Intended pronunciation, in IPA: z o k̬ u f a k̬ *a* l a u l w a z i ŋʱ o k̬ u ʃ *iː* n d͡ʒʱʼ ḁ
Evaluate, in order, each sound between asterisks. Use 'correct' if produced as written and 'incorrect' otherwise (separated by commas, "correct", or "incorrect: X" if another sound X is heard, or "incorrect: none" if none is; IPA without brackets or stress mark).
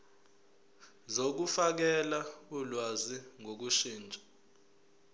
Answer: incorrect: ɛ, correct